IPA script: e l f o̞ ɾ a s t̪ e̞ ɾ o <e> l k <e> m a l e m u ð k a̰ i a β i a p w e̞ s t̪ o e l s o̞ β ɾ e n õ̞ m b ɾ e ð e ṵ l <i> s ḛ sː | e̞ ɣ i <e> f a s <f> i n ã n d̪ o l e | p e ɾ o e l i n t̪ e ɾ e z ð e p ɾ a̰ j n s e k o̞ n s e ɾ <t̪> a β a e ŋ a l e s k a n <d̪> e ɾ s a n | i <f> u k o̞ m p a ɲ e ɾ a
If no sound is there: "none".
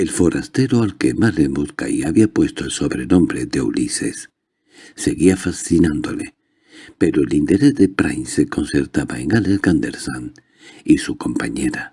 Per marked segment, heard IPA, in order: a, e, i, a, θ, t̪, d̪, s

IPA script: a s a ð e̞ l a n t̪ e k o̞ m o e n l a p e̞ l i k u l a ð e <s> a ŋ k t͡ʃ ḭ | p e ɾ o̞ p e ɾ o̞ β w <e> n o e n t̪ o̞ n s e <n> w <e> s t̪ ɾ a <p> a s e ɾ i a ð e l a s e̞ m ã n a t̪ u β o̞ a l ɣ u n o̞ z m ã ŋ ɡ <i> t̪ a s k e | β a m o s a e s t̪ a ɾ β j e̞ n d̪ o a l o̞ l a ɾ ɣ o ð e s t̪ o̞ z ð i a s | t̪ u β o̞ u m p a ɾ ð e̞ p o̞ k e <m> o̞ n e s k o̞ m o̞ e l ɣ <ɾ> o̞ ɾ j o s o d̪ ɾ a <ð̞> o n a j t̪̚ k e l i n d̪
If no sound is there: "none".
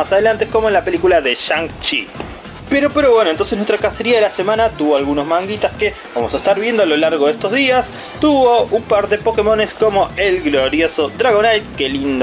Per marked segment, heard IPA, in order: ʃ, e, n, e, k, i, m, l, ɣ̞

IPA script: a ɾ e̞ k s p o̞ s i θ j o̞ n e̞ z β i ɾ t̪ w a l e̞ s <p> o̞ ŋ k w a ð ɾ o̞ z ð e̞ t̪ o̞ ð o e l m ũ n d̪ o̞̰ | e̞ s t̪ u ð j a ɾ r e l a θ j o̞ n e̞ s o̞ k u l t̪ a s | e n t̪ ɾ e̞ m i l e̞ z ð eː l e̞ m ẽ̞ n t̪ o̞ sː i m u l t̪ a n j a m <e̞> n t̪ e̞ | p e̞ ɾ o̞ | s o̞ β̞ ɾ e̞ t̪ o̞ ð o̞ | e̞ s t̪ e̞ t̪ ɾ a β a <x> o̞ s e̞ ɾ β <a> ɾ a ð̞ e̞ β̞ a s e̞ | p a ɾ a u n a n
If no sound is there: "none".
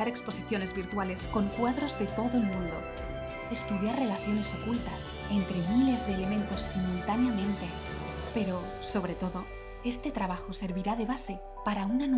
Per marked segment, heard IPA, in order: k, ẽ̞, x, i

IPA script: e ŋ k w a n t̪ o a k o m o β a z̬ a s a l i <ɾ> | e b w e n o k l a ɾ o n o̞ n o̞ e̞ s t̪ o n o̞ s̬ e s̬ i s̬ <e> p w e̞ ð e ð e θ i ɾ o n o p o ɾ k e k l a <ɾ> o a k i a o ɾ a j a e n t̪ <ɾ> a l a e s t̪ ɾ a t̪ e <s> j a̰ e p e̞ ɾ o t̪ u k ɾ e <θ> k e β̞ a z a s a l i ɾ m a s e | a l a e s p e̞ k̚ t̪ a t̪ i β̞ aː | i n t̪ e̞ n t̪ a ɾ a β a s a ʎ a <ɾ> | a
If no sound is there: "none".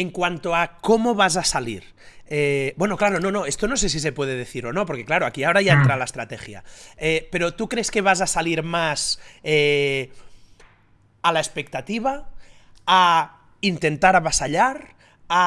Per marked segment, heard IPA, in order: ɾ, e, ɾ, ɾ, x, s, ɾ

